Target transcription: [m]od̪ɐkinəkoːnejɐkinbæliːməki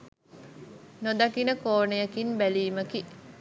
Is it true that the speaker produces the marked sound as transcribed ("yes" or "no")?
no